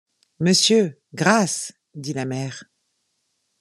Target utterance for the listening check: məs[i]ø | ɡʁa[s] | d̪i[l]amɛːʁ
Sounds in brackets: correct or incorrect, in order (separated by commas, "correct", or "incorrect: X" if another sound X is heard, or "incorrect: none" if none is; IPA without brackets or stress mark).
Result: incorrect: j, correct, correct